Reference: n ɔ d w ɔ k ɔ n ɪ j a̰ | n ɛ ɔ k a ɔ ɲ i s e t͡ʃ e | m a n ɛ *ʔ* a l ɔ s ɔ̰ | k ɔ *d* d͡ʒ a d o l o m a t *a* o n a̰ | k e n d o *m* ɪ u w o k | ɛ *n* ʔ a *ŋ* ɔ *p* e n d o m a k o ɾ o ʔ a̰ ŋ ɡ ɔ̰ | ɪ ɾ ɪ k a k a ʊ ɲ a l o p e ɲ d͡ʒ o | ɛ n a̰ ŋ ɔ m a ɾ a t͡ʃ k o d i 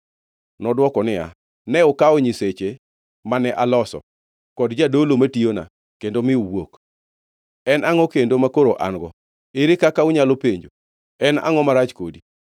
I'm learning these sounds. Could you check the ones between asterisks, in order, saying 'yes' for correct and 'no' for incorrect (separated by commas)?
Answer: yes, yes, no, yes, yes, yes, no